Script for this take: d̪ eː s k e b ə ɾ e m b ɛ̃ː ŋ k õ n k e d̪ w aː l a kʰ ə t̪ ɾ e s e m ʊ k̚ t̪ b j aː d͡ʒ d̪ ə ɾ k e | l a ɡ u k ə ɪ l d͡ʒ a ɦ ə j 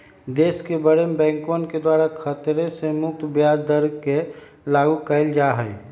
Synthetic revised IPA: d̪ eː s k e b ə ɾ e m b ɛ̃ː ŋ k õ n k e d̪ w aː ɾ a kʰ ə t̪ ɾ e s e m ʊ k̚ t̪ b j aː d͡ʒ d̪ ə ɾ k e | l a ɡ u k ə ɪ l d͡ʒ a ɦ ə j

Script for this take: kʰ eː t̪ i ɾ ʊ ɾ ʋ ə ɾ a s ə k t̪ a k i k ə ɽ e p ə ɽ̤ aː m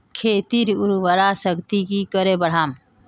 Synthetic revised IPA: kʰ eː t̪ i ɾ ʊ ɾ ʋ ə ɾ a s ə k t̪ i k i k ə ɾ e b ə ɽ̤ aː m

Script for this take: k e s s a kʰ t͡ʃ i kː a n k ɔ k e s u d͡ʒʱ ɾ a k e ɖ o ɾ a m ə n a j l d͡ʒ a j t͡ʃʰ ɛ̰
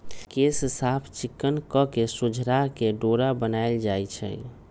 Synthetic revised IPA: k e s s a pʰ t͡ʃ i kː ə n k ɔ k e s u d͡ʒʱ ɾ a k e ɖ o ɾ a b ə n a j l d͡ʒ a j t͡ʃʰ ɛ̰

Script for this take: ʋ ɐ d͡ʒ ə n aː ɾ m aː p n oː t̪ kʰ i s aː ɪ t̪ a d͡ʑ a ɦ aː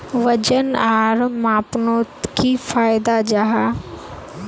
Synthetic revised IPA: ʋ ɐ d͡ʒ ə n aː ɾ m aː p n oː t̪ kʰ i f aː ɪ d̪ a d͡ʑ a ɦ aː

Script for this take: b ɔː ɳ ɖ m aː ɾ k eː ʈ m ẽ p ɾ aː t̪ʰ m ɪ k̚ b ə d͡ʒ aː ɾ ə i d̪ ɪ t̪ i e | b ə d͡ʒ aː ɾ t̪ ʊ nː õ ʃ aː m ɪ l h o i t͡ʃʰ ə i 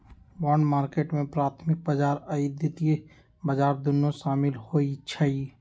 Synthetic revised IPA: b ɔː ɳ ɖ m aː ɾ k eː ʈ m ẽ p ɾ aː t̪ʰ m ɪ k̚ b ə d͡ʒ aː ɾ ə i d̪ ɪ t̪ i e | b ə d͡ʒ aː ɾ d̪ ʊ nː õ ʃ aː m ɪ l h o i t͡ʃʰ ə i

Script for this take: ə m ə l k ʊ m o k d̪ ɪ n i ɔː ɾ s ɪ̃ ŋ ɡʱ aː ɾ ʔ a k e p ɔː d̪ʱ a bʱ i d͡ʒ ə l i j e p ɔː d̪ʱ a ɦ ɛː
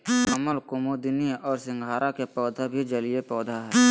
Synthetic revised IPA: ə m ə l k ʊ m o d̪ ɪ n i ɔː ɾ s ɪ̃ ŋ ɡʱ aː ɾ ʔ a k e p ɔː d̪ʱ a bʱ i d͡ʒ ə l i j e p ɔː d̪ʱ a ɦ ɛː

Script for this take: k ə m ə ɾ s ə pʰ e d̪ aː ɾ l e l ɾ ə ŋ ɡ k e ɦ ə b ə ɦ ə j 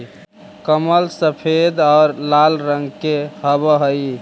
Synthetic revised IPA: k ə m ə l s ə pʰ e d̪ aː ɾ l a l ɾ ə ŋ ɡ k e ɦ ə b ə ɦ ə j

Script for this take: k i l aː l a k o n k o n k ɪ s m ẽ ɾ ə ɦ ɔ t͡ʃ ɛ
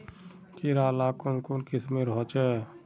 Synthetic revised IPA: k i ɾ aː l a k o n k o n k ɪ s m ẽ ɾ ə ɦ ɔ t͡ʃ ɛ

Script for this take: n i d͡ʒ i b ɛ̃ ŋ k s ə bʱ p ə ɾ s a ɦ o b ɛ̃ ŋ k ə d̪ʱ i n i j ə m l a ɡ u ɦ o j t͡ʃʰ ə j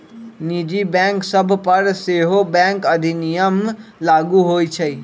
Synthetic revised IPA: n i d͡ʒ i b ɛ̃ ŋ k s ə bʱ p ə ɾ s e ɦ o b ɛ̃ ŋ k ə d̪ʱ i n i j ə m l a ɡ u ɦ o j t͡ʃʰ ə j

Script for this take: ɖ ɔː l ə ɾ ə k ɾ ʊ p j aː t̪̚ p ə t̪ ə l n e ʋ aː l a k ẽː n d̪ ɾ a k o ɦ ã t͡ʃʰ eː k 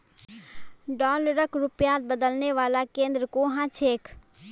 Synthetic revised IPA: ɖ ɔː l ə ɾ ə k ɾ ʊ p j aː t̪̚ b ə d̪ ə l n e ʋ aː l a k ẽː n d̪ ɾ ə k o ɦ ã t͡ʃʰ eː k

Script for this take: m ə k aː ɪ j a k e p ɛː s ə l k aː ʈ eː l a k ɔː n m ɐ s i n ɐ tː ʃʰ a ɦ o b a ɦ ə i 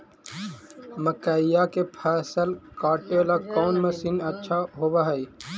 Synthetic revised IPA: m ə k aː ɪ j a k e pʰ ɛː s ə l k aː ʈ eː l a k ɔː n m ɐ s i n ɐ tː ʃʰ a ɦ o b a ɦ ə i

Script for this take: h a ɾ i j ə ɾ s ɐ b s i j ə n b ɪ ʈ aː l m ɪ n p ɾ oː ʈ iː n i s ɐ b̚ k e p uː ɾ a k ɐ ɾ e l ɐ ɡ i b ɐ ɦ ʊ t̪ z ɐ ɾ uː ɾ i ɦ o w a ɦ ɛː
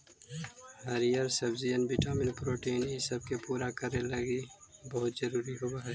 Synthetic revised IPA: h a ɾ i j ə ɾ s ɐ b z i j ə n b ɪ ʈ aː m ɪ n p ɾ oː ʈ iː n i s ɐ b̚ k e p uː ɾ a k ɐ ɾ e l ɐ ɡ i b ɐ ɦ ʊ t̪ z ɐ ɾ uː ɾ i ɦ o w a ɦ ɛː

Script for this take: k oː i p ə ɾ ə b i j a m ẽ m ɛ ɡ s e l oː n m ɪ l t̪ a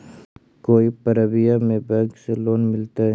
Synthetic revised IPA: k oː i p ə ɾ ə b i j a m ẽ b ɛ ɡ s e l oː n m ɪ l t̪ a

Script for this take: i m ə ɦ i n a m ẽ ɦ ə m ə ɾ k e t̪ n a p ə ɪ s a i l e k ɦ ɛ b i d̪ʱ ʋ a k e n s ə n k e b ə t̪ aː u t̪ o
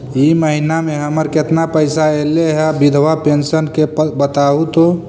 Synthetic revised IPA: i m ə ɦ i n a m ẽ ɦ ə m ə ɾ k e t̪ n a p ə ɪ s a e l e ɦ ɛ b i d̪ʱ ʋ a p e n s ə n k e b ə t̪ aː u t̪ o

